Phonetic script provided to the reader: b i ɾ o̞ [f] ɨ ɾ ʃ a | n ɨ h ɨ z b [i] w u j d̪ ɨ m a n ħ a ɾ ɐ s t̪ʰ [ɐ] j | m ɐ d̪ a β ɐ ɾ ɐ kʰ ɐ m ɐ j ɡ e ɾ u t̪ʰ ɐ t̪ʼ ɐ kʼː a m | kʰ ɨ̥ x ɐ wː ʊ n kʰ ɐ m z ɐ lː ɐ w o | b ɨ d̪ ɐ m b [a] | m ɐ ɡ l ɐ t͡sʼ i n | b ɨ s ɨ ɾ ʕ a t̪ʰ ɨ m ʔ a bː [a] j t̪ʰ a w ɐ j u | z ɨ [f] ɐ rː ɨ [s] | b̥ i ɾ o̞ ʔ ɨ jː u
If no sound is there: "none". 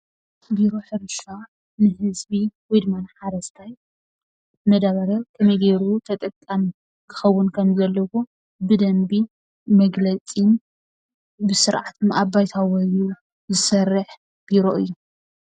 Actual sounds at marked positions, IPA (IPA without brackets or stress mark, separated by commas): ħ, i, a, i, a, s, ħ